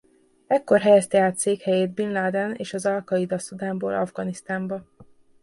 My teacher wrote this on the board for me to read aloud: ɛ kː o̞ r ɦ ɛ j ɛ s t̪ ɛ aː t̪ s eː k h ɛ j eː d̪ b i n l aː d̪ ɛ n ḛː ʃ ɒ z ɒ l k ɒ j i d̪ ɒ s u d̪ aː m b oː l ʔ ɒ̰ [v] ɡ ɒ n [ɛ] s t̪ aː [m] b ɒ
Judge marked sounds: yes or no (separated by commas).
yes, no, yes